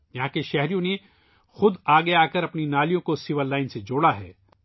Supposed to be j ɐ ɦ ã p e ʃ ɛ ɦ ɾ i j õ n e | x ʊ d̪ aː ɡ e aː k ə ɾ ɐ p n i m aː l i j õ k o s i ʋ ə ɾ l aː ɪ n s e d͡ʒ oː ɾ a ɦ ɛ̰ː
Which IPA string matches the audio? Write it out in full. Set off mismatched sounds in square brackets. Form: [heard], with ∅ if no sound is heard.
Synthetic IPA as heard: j ɐ ɦ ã [k] e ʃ ɛ ɦ ɾ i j õ n e | x ʊ d̪ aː ɡ e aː k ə ɾ ɐ p n i [n] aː l i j õ k o s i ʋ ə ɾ l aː ɪ n s e d͡ʒ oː [ɽ] a ɦ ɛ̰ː